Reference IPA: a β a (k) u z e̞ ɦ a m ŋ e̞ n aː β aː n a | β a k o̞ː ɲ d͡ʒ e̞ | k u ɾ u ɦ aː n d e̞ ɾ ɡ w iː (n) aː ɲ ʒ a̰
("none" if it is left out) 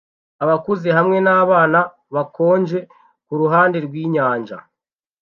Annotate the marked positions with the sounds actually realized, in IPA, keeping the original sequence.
k, ɲ

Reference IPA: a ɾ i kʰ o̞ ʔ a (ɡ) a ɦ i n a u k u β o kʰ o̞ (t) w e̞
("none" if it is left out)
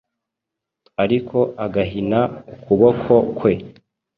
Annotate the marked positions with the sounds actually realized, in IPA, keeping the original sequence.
ɡ, k

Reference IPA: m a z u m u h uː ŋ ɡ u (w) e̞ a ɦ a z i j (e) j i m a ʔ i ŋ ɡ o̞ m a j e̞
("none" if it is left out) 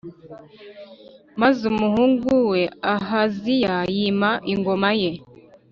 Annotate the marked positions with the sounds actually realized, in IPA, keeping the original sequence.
w, a

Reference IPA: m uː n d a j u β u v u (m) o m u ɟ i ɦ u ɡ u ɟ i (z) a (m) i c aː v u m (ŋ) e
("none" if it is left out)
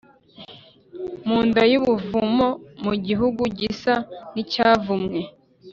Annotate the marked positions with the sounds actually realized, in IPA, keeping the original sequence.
m, s, n, ŋ

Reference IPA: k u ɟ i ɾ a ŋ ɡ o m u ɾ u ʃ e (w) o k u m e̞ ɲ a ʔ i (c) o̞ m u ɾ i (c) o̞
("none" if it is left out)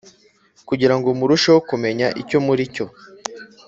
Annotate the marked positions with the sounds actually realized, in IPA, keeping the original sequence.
w, c, c

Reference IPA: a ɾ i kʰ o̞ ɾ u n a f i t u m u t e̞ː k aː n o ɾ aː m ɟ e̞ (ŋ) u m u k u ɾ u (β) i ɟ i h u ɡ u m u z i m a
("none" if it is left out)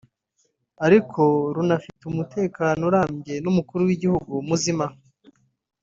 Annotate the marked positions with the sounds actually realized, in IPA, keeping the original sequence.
n, w

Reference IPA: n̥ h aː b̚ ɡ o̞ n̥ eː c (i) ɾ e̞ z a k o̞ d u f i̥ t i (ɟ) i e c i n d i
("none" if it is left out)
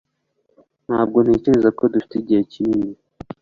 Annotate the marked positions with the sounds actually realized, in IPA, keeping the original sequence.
e, ɟ

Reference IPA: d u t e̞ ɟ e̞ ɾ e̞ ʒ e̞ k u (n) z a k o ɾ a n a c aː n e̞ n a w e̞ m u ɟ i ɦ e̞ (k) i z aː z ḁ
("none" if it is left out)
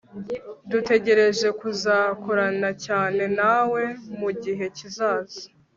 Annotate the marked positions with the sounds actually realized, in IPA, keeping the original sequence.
none, c

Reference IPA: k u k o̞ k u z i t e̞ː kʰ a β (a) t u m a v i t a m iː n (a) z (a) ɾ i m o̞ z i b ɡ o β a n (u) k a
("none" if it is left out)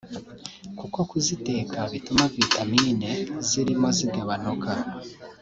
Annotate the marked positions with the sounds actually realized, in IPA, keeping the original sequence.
i, e, i, o

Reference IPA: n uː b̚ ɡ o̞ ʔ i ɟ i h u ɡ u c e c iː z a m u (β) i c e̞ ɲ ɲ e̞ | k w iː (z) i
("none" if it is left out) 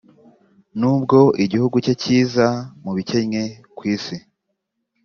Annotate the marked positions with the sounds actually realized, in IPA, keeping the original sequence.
β, s

